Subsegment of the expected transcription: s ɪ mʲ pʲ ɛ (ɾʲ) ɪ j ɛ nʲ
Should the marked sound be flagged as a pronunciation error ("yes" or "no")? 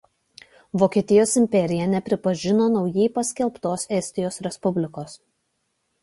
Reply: no